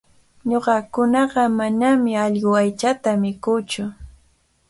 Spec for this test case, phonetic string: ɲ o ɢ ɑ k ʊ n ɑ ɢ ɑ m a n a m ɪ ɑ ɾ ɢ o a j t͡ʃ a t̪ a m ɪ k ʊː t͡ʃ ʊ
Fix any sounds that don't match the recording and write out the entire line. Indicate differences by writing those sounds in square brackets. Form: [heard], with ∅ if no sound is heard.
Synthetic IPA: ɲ o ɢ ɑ k ʊ n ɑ ɢ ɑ m a n a m ɪ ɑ [ʎ] ɢ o a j t͡ʃ a t̪ a m ɪ k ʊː t͡ʃ ʊ